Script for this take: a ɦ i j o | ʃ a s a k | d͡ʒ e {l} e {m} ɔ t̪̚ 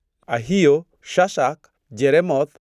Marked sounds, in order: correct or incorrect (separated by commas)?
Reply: incorrect, correct